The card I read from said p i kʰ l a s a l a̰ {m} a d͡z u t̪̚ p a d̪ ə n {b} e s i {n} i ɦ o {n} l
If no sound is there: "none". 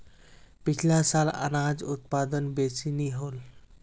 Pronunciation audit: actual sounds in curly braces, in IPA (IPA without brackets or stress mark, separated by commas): n, b, n, none